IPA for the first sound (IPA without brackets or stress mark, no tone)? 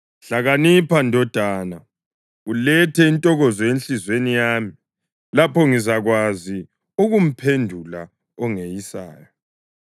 ɬ